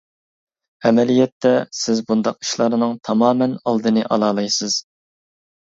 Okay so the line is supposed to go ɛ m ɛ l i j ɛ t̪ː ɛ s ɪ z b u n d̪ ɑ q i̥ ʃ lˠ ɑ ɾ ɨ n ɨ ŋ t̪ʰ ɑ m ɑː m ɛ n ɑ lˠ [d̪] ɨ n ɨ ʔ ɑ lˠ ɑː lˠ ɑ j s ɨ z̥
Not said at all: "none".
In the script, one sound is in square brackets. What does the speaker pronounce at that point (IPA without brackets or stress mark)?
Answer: d̪